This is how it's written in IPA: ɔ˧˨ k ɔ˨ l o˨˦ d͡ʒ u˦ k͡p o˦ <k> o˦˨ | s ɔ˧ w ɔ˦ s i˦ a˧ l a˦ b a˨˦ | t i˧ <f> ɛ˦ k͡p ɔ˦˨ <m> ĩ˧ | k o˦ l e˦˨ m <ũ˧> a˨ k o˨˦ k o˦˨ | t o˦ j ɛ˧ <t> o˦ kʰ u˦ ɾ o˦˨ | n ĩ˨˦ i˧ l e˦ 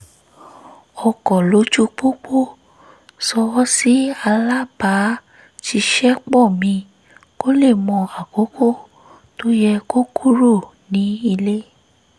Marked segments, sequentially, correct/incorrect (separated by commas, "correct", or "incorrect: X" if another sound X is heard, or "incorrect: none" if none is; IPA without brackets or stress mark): incorrect: k͡p, incorrect: ʃ, correct, incorrect: ɔ̃˧, incorrect: k